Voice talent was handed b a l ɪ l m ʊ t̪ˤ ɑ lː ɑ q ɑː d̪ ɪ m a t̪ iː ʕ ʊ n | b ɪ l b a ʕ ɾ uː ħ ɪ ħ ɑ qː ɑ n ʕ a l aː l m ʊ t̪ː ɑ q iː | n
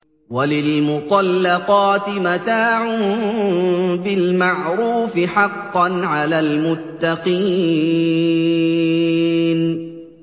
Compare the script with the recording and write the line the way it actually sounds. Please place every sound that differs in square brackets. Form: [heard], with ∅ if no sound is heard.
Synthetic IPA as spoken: [w] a l ɪ l m ʊ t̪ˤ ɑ lː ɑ q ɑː [t̪] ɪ m a t̪ [aː] ʕ ʊ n | b ɪ l [m] a ʕ ɾ uː [f] ɪ ħ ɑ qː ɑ n ʕ a l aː l m ʊ t̪ː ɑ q iː | n